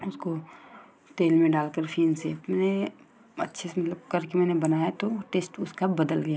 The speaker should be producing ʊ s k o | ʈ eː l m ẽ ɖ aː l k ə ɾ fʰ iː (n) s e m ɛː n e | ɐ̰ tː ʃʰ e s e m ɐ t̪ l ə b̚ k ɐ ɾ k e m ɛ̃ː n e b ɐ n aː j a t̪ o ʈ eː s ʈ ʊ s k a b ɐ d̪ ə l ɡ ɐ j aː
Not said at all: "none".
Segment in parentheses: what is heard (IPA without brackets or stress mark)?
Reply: n